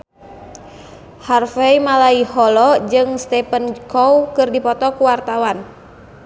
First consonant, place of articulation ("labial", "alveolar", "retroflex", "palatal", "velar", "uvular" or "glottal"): glottal